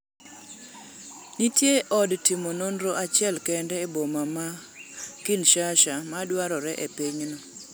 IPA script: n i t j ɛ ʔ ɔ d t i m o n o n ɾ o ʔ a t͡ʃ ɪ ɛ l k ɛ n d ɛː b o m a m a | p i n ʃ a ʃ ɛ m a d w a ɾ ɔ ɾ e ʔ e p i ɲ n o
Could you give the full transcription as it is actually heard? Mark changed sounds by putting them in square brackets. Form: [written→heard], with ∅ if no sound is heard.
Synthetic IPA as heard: n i t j [ɛ→e] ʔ ɔ d t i m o n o n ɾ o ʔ a t͡ʃ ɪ ɛ l k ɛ n d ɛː b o m a m a | [p→k] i n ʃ a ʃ [ɛ→a] m a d w a ɾ ɔ ɾ [e→ɛ] ʔ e p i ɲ n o

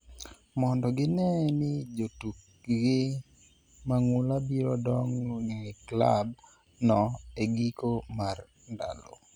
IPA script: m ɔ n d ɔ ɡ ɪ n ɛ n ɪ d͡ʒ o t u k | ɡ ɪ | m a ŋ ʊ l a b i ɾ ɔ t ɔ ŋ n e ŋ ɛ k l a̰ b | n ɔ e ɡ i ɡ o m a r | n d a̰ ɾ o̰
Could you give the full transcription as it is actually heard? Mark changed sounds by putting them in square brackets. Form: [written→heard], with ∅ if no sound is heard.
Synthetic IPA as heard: m ɔ n d ɔ ɡ ɪ n ɛ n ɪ d͡ʒ o t u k | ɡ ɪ | m a ŋ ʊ l a b i ɾ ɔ [t→d] ɔ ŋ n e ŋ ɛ k l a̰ b | n ɔ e ɡ i [ɡ→k] o m a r | n d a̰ [ɾ→l] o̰

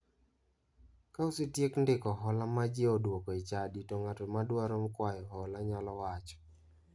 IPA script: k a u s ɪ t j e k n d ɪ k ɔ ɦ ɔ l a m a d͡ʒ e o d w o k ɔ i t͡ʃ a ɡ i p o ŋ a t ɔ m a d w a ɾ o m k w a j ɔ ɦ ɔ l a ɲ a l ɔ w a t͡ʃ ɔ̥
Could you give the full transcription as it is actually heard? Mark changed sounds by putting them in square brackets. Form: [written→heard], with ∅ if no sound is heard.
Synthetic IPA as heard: k a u s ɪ t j e k n d ɪ k ɔ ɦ ɔ l a m a d͡ʒ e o d w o k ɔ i t͡ʃ a [ɡ→d] i [p→t] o ŋ a t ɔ m a d w a ɾ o m k w a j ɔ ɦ ɔ l a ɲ a l ɔ w a t͡ʃ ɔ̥

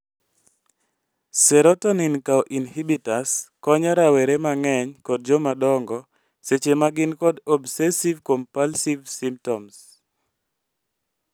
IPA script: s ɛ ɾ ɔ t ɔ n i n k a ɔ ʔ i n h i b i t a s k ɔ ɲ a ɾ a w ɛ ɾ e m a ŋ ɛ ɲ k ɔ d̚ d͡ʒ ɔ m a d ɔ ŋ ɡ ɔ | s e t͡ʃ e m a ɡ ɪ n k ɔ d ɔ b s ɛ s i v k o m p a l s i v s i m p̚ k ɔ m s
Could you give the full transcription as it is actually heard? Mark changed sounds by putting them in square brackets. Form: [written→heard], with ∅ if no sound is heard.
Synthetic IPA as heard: s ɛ ɾ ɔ t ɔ n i n k a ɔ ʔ i n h i b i t a s k ɔ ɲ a ɾ a w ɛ ɾ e m a ŋ ɛ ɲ k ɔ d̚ d͡ʒ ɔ m a d ɔ ŋ ɡ ɔ | s e t͡ʃ e m a ɡ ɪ n k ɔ d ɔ b s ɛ s i v k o m p a l s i v s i m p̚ [k→t] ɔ m s

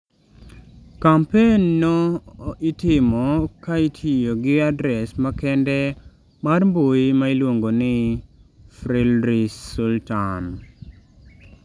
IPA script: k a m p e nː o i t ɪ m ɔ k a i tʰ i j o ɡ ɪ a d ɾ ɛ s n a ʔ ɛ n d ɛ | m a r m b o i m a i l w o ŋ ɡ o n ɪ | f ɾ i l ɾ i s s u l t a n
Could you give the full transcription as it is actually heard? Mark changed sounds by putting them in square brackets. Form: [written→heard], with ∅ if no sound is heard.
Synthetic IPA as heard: k a m p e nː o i t ɪ m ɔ k a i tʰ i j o ɡ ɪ a d ɾ ɛ s [n→m] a [ʔ→k] ɛ n d ɛ | m a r m b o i m a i l w o ŋ ɡ o n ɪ | f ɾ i l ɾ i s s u l t a n

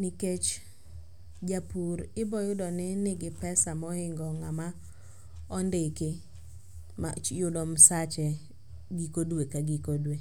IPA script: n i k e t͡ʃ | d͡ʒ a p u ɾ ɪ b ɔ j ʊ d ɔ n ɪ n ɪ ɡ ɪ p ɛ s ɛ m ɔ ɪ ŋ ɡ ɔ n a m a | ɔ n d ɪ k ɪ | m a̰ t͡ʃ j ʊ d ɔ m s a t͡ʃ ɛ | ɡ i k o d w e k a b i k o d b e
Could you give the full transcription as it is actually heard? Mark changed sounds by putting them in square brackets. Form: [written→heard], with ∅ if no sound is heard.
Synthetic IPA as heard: n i k e t͡ʃ | d͡ʒ a p u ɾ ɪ b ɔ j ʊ d ɔ n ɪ n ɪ ɡ ɪ p ɛ s [ɛ→a] m ɔ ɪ ŋ ɡ ɔ [n→ŋ] a m a | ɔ n d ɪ k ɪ | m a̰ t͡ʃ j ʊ d ɔ m s a t͡ʃ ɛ | ɡ i k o d w e k a [b→ɡ] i k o d [b→w] e

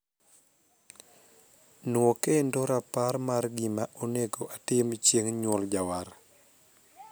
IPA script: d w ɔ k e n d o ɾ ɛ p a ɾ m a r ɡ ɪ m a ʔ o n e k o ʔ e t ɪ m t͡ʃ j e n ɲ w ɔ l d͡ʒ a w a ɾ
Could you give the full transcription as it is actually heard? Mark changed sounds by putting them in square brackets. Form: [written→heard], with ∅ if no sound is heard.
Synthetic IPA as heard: [d→n] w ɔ k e n d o ɾ [ɛ→a] p a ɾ m a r ɡ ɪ m a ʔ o n e [k→ɡ] o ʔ [e→a] t ɪ m t͡ʃ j e [n→ŋ] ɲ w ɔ l d͡ʒ a w a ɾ

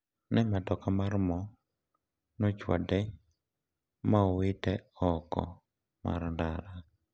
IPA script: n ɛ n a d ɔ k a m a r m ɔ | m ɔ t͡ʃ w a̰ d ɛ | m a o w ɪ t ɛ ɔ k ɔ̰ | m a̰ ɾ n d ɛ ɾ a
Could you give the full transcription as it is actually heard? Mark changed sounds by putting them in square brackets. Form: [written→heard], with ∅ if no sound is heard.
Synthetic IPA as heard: n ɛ [n→m] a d ɔ k a m a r m ɔ | [m→n] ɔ t͡ʃ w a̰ d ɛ | m a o w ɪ t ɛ ɔ k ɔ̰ | m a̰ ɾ n d [ɛ→a] ɾ a

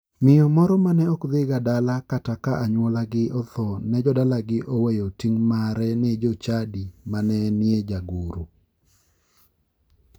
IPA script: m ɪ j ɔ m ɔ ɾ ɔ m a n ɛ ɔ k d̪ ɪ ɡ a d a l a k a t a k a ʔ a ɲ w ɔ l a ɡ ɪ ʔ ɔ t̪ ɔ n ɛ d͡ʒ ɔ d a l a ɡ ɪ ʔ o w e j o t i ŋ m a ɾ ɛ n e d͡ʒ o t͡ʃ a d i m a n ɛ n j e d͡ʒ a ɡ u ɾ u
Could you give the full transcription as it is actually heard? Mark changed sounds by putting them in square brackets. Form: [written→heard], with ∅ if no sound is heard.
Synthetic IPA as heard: m ɪ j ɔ m ɔ ɾ ɔ m a n ɛ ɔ k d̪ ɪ ɡ a d a l a k a t a k a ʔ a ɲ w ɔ l a ɡ ɪ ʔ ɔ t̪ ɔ n ɛ d͡ʒ ɔ d a l a ɡ ɪ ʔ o w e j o t i ŋ m a ɾ ɛ n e d͡ʒ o t͡ʃ a d i m a n ɛ n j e d͡ʒ a ɡ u ɾ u

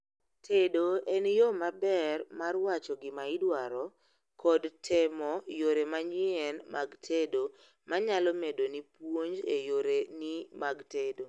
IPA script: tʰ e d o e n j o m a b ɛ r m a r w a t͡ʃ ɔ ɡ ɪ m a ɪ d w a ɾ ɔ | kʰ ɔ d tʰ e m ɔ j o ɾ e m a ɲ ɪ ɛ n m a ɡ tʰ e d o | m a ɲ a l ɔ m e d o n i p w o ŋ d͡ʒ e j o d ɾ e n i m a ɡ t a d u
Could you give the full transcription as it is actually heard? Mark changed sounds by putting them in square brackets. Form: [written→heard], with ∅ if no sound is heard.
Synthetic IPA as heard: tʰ e d o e n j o m a b ɛ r m a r w a t͡ʃ ɔ ɡ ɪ m a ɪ d w a ɾ ɔ | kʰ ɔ d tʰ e m ɔ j o ɾ e m a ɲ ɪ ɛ n m a ɡ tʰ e d o | m a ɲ a l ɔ m e d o n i p w o [ŋ→ɲ] d͡ʒ e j o [d→∅] ɾ e n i m a ɡ t [a→e] d [u→o]

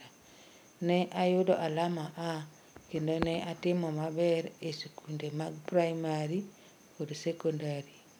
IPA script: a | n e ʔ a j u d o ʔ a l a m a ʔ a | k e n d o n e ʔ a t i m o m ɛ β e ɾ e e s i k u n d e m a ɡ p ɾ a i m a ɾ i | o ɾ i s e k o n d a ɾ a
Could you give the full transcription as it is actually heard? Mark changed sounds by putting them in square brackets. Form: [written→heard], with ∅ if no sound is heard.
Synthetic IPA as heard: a | n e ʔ a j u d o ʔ a l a m a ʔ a | k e n d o n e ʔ a t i m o m [ɛ→a] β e ɾ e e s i k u n d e m a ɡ p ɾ a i m a ɾ i | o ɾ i s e k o n d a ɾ [a→i]

